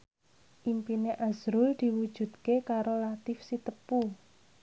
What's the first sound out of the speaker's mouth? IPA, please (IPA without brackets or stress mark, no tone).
ʔ